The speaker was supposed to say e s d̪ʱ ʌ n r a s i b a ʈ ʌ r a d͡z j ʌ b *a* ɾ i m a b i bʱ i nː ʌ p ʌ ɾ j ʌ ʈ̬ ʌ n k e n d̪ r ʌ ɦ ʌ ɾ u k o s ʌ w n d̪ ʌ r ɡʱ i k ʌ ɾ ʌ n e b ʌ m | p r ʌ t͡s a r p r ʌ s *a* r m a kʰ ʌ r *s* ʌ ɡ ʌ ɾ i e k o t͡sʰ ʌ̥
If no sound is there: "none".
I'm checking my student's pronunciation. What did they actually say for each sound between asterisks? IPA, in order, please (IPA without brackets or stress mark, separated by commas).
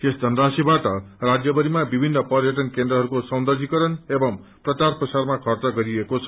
ʌ, a, t͡s